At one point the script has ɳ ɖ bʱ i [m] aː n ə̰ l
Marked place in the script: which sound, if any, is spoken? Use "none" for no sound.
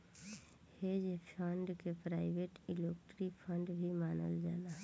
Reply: m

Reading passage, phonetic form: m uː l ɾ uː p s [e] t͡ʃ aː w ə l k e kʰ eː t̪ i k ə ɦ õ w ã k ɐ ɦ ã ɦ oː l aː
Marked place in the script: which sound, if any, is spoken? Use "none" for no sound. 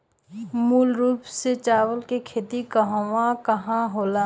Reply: e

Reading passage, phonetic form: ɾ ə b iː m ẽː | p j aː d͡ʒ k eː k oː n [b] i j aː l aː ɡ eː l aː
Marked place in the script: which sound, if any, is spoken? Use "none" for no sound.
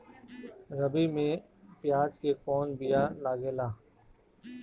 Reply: b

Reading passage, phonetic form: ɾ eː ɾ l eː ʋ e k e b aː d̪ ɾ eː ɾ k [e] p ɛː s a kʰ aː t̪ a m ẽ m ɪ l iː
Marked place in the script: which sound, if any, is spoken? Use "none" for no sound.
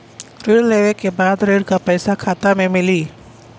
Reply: a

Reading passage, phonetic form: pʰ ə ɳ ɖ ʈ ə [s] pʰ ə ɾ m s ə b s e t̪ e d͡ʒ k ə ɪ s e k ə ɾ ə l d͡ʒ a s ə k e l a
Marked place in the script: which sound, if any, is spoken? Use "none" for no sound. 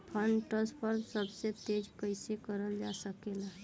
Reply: s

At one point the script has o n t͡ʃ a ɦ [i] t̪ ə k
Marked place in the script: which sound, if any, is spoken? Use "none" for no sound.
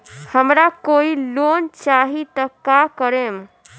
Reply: i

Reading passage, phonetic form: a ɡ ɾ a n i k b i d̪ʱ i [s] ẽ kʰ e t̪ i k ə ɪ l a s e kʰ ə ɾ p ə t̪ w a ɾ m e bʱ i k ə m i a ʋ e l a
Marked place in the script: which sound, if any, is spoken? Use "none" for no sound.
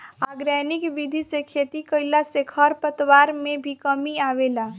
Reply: s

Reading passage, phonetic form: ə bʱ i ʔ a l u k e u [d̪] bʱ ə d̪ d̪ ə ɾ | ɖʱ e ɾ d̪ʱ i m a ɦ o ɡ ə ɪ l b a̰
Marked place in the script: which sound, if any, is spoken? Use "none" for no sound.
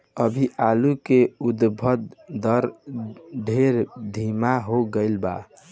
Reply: d̪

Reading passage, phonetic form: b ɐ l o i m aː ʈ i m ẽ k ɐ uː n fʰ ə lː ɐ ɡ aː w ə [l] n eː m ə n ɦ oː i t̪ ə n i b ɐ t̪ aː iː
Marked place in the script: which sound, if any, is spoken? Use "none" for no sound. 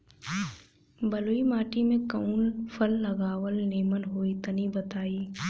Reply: l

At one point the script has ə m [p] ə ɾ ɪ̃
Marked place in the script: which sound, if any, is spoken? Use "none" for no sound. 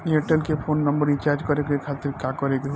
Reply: b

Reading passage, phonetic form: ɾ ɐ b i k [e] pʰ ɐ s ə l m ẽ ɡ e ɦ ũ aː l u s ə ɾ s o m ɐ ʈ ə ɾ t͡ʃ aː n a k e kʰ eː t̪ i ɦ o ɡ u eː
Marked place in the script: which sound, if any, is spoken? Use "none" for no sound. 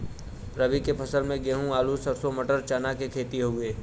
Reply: e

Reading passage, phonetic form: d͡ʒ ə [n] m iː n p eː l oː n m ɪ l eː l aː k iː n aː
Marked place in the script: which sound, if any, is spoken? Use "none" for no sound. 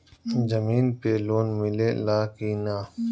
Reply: none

